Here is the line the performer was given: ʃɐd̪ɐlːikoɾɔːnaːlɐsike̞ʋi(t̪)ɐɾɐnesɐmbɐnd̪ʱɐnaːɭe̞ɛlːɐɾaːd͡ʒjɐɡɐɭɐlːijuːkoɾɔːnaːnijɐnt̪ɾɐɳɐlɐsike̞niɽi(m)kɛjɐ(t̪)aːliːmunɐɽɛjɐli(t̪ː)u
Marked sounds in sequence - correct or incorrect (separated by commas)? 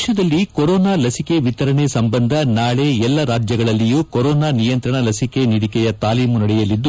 correct, incorrect, correct, incorrect